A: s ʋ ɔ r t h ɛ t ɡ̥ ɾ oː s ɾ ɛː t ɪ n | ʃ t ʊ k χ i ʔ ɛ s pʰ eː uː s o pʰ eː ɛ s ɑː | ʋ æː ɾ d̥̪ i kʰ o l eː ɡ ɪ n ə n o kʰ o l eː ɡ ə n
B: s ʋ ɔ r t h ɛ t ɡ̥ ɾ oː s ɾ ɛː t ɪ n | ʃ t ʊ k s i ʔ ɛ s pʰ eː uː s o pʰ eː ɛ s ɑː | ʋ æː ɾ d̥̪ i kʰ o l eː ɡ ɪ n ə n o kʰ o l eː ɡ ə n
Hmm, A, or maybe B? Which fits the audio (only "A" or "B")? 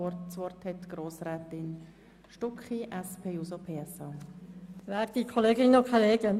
A